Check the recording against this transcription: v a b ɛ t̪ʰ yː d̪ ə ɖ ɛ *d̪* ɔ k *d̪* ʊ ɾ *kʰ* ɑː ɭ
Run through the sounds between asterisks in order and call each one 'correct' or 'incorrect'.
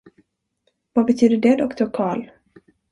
correct, incorrect, correct

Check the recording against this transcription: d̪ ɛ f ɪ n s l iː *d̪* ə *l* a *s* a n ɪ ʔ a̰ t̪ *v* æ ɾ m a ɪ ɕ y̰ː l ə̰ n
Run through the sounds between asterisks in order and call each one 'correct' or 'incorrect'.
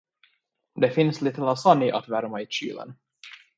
incorrect, correct, correct, correct

